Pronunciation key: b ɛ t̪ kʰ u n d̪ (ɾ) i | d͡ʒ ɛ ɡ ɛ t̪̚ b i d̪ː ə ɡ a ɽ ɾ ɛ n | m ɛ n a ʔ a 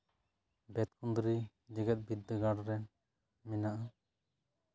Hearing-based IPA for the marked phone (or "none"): ɾ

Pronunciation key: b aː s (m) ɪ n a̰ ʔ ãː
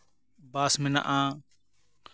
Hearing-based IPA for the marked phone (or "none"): m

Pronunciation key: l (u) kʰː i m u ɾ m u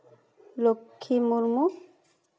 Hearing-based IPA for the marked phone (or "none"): o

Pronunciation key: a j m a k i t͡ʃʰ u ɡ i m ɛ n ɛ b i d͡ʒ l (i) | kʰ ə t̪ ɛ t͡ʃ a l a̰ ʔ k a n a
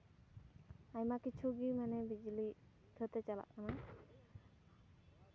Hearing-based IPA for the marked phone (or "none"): i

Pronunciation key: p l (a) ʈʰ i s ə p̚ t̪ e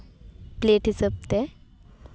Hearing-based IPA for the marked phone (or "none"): e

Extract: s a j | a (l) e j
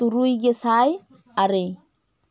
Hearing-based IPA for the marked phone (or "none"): ɾ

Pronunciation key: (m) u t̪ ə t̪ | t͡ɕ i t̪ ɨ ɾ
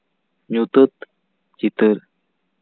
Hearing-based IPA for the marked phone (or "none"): ɲ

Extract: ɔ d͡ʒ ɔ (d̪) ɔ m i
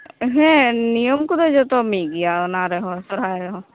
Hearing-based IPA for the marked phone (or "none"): t̪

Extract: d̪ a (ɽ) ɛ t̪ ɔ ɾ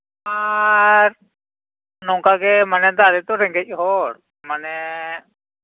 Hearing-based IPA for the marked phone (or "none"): ɾ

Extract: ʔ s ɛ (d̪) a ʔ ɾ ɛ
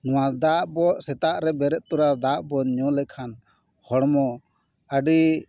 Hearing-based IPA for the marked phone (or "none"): t̪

